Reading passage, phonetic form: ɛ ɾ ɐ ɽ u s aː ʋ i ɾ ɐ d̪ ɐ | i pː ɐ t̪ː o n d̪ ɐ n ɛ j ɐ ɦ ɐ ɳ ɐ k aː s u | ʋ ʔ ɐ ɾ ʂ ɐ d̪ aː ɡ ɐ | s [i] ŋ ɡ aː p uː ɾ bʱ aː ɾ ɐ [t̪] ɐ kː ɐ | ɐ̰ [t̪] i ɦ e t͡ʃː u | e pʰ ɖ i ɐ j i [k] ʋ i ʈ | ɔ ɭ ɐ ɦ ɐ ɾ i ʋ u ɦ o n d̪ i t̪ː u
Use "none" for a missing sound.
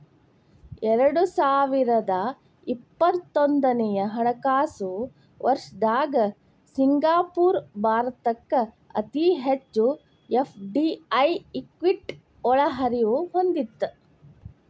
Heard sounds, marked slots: i, t̪, t̪, k

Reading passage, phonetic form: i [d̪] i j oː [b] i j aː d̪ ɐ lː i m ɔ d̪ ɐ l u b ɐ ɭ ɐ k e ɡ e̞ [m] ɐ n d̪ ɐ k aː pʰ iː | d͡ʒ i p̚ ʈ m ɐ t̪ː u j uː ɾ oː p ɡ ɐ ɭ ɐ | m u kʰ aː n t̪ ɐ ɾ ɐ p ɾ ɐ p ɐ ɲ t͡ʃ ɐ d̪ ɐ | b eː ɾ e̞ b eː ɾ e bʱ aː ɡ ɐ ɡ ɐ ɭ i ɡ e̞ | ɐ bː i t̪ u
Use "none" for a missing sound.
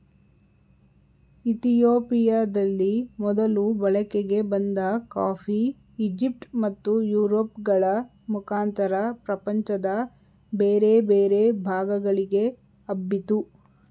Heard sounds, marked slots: t̪, p, b

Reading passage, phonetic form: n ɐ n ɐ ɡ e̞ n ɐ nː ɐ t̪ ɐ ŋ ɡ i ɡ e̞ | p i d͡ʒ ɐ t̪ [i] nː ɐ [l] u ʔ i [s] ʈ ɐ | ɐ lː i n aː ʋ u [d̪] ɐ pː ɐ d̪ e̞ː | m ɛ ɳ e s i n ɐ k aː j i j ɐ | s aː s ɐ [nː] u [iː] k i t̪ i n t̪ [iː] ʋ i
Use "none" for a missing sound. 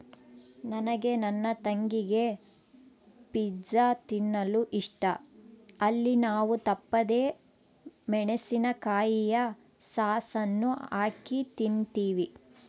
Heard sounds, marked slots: i, l, ʂ, t̪, nː, aː, iː

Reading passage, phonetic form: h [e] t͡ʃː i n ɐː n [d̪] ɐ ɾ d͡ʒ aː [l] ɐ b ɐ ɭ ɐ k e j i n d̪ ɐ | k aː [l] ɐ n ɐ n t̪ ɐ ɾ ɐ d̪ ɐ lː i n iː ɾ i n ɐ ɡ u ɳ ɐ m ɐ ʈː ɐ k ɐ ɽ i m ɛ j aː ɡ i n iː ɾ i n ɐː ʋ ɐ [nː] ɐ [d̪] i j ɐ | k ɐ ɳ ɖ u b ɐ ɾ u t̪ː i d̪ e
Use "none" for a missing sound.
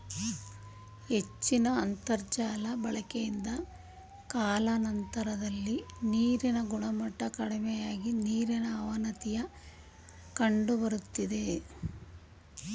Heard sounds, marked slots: e, t̪, l, l, n, t̪

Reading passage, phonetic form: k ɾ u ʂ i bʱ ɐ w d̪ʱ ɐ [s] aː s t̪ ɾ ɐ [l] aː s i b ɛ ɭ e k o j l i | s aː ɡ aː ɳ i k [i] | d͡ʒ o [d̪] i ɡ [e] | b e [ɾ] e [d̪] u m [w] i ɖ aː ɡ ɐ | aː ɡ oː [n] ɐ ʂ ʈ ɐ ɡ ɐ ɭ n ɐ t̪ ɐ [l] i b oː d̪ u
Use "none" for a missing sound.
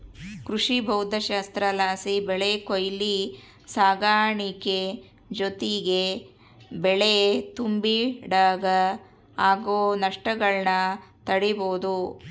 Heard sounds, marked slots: ʃ, l, e, t̪, e, ɭ, t̪, b, n, ɽ

